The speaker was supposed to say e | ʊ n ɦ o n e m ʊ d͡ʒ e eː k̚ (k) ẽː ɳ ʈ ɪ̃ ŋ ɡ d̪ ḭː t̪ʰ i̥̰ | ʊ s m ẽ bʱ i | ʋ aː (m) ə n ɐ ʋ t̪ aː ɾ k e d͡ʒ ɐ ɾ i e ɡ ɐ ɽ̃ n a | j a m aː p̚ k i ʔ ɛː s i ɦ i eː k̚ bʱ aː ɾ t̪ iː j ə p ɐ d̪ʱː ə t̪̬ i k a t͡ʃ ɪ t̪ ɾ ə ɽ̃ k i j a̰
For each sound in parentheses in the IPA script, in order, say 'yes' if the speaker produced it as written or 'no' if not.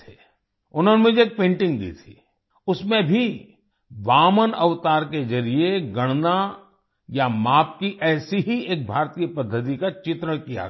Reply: no, yes

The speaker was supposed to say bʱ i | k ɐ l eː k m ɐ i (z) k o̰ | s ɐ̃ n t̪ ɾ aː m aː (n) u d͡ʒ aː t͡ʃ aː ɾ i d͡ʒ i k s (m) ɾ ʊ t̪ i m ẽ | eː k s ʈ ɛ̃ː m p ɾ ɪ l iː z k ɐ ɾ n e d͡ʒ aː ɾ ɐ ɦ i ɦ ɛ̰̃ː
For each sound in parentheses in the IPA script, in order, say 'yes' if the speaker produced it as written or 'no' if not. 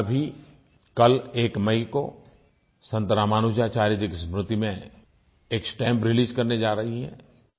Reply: no, yes, yes

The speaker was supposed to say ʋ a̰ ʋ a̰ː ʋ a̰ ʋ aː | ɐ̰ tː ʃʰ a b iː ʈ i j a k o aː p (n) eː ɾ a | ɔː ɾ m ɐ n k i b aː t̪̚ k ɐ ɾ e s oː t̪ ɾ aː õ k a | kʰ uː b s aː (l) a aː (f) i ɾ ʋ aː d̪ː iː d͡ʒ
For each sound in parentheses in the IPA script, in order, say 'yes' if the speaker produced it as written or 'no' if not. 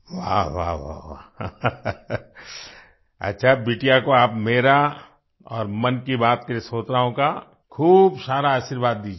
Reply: no, no, no

